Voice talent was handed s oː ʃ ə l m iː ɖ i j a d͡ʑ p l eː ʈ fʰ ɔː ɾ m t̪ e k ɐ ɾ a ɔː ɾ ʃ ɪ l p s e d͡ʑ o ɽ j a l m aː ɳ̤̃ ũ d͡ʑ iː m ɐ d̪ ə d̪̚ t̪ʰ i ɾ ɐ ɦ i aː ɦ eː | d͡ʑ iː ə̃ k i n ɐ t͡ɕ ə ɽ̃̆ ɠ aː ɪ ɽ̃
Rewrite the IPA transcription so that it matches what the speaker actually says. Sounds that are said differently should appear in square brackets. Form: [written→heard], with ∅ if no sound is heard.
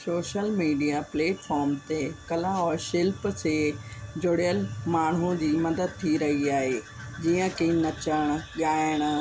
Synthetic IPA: s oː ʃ ə l m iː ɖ i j a [d͡ʑ→∅] p l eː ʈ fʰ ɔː ɾ m t̪ e k ɐ [ɾ→l] a ɔː ɾ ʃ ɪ l p s e d͡ʑ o ɽ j [a→ə] l m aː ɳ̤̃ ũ d͡ʑ iː m ɐ d̪ ə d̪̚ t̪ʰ i ɾ ɐ ɦ i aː ɦ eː | d͡ʑ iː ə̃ k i n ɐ t͡ɕ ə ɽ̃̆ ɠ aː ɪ ɽ̃